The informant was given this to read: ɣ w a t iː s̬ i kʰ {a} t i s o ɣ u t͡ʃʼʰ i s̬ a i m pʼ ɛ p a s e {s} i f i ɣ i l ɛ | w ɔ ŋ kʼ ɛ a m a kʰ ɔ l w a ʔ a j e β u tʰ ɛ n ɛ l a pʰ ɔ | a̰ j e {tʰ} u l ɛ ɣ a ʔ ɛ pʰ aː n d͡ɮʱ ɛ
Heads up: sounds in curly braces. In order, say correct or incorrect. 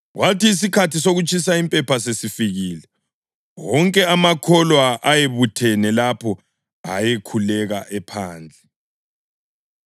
correct, correct, incorrect: kʰ

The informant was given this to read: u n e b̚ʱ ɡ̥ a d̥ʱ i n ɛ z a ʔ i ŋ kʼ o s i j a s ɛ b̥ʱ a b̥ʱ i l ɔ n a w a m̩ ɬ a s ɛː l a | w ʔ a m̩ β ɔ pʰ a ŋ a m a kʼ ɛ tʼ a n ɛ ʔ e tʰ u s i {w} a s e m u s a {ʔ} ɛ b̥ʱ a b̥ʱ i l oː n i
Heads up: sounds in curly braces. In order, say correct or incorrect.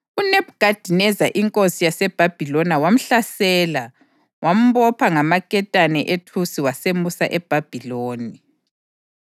correct, correct

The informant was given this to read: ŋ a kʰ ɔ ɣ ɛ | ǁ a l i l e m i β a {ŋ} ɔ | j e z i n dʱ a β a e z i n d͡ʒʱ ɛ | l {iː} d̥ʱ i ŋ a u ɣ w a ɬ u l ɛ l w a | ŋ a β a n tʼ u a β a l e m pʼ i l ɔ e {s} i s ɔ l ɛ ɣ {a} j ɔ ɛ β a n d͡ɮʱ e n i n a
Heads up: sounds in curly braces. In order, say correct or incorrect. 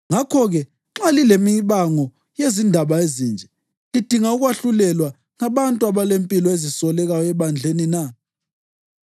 correct, incorrect: i, incorrect: z, correct

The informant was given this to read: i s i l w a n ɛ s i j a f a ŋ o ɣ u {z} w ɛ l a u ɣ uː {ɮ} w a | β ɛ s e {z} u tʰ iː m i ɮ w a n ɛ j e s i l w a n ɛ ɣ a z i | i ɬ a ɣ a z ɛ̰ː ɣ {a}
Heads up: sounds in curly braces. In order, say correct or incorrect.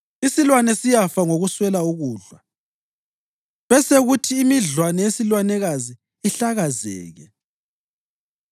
incorrect: s, correct, incorrect: ɣ, incorrect: ɛ

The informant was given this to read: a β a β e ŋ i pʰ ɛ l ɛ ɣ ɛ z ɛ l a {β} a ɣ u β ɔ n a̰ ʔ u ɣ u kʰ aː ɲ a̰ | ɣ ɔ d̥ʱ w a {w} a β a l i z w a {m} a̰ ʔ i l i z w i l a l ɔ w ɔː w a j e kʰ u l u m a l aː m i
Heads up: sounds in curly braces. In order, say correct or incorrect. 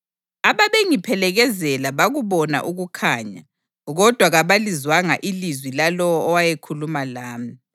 correct, incorrect: ɣ, incorrect: ŋ

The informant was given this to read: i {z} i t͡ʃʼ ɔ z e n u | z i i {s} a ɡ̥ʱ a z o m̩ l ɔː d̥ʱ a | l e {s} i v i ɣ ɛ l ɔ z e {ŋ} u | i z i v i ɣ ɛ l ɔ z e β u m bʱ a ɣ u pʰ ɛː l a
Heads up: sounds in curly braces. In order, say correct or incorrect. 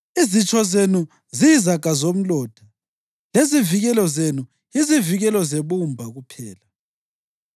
correct, incorrect: z, incorrect: z, incorrect: n

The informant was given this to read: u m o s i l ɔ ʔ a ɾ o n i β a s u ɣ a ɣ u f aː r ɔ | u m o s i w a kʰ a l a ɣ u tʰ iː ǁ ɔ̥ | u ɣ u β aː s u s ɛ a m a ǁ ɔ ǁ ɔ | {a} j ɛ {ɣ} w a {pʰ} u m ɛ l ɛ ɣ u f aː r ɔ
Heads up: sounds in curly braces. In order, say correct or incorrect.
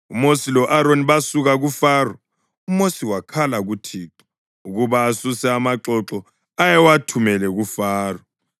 correct, incorrect: none, incorrect: tʰ

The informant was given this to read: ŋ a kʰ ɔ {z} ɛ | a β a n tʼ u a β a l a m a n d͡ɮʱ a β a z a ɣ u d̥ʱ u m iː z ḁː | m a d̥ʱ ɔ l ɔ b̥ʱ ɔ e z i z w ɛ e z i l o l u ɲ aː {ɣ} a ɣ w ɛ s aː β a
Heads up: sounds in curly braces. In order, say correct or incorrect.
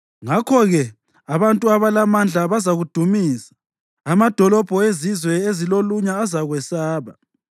incorrect: ɣ, incorrect: z

